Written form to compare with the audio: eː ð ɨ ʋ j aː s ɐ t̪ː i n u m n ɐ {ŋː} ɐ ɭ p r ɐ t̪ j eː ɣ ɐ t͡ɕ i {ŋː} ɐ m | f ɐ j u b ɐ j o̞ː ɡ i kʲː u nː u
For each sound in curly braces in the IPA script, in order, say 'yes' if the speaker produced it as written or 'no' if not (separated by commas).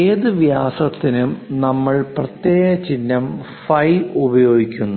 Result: no, no